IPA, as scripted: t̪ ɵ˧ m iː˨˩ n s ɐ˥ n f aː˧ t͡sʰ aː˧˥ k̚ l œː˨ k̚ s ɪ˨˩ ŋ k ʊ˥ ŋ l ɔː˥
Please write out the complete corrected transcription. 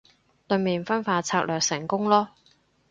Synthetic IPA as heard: t̪ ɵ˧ m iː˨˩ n f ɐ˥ n f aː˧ t͡sʰ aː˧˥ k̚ l œː˨ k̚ s ɪ˨˩ ŋ k ʊ˥ ŋ l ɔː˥